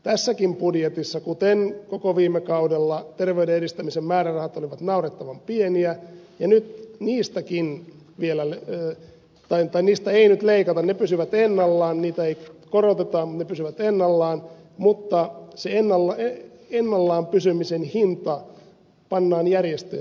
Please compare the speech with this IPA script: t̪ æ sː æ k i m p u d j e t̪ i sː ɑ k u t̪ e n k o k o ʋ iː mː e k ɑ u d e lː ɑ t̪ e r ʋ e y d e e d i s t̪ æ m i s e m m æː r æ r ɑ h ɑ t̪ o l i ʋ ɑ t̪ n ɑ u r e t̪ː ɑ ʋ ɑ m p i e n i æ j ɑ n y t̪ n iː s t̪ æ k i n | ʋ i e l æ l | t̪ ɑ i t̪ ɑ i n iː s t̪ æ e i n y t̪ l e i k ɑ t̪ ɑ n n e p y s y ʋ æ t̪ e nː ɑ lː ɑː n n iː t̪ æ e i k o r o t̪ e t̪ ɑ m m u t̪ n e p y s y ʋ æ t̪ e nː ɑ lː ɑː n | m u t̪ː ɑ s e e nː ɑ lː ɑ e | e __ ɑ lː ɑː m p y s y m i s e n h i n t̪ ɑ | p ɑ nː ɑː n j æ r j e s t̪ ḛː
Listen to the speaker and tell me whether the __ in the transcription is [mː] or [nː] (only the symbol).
nː